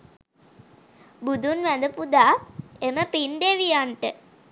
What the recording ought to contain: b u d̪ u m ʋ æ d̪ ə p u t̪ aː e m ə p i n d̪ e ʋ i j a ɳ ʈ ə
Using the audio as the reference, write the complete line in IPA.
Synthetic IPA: b u d̪ u n ʋ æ d̪ ə p u d̪ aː e m ə p i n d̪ e ʋ i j a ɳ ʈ ə